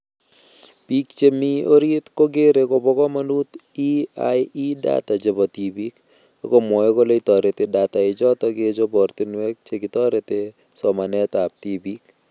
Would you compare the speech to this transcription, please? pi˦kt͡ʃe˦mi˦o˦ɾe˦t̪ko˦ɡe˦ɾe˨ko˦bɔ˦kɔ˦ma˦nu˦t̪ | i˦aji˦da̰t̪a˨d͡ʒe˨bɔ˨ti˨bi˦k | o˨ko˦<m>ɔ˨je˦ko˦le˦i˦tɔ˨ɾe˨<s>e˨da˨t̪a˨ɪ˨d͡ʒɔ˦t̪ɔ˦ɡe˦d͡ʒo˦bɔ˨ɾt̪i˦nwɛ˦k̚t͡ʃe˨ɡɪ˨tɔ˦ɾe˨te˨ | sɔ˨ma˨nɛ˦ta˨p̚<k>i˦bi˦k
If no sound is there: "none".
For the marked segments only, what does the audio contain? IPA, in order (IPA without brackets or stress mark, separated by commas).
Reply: m, t, t